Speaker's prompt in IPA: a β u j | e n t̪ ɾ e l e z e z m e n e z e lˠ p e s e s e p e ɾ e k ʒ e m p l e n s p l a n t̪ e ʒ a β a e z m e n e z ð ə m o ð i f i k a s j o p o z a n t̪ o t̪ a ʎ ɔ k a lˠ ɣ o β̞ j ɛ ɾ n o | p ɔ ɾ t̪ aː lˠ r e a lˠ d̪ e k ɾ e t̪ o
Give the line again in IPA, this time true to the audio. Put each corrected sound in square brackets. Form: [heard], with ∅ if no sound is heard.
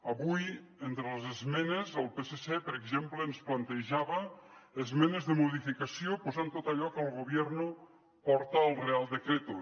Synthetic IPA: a β u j | e n t̪ ɾ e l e z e z m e n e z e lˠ p e s e s e p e ɾ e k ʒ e m p l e n s p l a n t̪ e ʒ a β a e z m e n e z ð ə m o ð i f i k a s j o p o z a n t̪ o t̪ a ʎ ɔ k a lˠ ɣ o β̞ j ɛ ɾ n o | p ɔ ɾ t̪ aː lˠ r e a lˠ d̪ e k ɾ e t̪ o